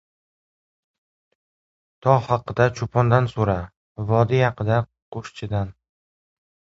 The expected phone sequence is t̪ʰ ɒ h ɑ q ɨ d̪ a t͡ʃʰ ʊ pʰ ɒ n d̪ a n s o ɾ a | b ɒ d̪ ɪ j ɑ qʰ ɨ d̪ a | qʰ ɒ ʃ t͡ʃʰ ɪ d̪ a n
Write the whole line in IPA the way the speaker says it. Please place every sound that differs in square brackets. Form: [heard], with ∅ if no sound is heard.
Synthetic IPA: t̪ʰ ɒ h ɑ q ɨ d̪ a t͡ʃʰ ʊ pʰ ɒ n d̪ a n s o ɾ a | [v] ɒ d̪ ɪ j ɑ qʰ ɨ d̪ a | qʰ [o] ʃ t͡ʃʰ ɪ d̪ a n